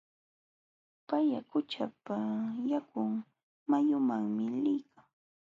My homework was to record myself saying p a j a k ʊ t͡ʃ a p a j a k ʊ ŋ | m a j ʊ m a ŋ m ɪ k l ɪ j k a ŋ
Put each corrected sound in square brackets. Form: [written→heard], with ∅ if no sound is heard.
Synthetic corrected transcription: p a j a k ʊ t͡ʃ a p a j a k ʊ ŋ | m a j ʊ m a ŋ m ɪ [k→∅] l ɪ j k a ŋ

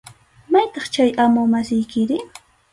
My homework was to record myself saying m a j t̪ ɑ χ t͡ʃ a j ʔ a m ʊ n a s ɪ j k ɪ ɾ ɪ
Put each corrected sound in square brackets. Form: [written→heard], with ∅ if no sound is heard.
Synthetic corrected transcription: m a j t̪ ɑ χ t͡ʃ a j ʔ a m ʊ [n→m] a s ɪ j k ɪ ɾ ɪ

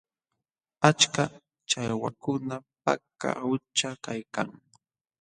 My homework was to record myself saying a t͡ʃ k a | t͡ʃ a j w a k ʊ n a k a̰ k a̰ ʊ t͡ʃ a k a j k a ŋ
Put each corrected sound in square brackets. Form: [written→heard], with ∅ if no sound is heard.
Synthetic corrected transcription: a t͡ʃ k a | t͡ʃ a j w a k ʊ n a [k→p] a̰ k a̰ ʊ t͡ʃ a k a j k a ŋ

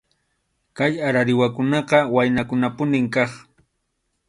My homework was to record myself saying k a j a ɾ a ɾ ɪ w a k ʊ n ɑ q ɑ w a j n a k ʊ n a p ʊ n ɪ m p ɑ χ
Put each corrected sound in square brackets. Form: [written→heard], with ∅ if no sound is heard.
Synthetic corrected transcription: k a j a ɾ a ɾ ɪ w a k ʊ n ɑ q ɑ w a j n a k ʊ n a p ʊ n ɪ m [p→k] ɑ χ

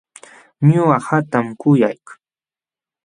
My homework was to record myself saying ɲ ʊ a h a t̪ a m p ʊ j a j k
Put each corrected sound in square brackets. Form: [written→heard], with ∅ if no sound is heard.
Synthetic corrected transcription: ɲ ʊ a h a t̪ a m [p→k] ʊ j a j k

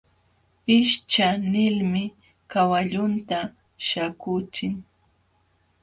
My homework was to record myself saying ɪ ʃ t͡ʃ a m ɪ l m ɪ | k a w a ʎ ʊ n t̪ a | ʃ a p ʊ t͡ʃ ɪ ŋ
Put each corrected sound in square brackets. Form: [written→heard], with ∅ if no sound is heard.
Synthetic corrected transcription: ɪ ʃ t͡ʃ a [m→n] ɪ l m ɪ | k a w a ʎ ʊ n t̪ a | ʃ a [p→k] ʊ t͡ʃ ɪ ŋ

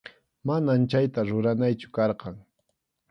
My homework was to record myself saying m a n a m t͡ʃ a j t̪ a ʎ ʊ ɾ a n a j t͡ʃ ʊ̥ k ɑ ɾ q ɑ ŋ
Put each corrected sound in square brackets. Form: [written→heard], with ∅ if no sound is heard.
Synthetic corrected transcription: m a n a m t͡ʃ a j t̪ a [ʎ→ɾ] ʊ ɾ a n a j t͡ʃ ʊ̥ k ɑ ɾ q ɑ ŋ

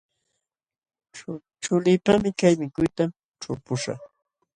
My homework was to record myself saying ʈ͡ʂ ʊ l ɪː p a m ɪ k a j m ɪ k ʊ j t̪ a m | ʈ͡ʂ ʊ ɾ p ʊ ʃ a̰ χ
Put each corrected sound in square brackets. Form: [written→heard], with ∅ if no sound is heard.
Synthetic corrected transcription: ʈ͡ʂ ʊ l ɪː p a m ɪ k a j m ɪ k ʊ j t̪ a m | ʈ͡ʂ ʊ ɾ p ʊ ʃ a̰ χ

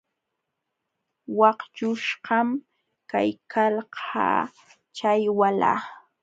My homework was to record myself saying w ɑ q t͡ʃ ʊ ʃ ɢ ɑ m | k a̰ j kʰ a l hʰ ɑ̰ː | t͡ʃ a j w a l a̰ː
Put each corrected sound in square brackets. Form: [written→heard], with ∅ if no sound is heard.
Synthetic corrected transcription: w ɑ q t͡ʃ ʊ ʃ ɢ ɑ m | k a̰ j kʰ a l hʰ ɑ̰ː | t͡ʃ a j w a l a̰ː

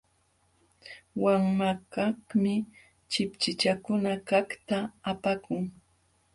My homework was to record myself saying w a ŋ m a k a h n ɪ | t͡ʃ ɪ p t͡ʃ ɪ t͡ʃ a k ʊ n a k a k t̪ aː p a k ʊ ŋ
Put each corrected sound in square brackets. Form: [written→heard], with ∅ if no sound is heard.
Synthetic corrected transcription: w a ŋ m a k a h [n→m] ɪ | t͡ʃ ɪ p t͡ʃ ɪ t͡ʃ a k ʊ n a k a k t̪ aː p a k ʊ ŋ

